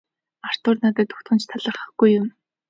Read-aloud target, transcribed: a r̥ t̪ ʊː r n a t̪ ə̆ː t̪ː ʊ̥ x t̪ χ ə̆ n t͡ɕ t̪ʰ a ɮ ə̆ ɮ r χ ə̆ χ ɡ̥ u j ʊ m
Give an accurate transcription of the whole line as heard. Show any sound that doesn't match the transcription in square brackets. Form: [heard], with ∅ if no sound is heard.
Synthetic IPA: a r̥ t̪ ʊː r n a t̪ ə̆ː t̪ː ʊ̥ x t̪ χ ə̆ n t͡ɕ t̪ʰ a ɮ ə̆ [∅] r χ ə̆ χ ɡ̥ u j ʊ m